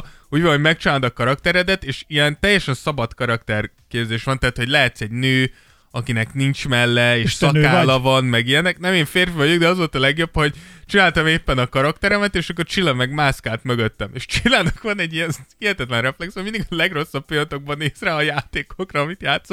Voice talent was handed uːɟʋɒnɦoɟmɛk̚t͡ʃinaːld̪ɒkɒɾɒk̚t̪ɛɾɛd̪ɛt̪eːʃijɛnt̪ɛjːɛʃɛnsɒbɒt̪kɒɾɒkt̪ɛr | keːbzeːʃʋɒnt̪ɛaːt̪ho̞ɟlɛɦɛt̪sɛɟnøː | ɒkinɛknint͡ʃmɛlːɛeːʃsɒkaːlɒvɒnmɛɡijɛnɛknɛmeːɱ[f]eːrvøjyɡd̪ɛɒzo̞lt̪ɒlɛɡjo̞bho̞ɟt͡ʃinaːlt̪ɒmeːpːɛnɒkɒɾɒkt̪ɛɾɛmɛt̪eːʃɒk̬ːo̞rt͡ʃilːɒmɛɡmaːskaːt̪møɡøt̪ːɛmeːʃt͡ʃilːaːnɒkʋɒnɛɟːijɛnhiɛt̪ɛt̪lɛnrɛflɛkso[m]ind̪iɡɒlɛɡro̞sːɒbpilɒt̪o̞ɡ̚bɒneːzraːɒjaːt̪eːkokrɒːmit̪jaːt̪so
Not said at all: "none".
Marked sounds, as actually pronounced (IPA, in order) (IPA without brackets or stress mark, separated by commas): f, m